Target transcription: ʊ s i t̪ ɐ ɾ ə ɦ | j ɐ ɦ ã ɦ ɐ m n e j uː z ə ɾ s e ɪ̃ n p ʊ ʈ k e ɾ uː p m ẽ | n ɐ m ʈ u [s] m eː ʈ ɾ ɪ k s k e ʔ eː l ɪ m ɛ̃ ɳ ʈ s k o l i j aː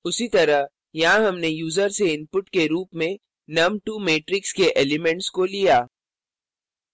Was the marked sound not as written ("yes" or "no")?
yes